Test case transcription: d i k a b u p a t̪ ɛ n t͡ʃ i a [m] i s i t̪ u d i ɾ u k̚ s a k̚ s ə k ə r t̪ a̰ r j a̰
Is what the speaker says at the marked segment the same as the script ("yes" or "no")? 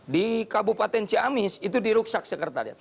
yes